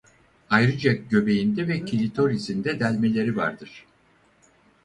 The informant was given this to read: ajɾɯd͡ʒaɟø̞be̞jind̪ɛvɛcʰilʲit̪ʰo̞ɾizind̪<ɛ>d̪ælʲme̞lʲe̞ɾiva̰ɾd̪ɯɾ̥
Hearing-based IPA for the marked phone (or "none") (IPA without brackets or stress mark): ɛ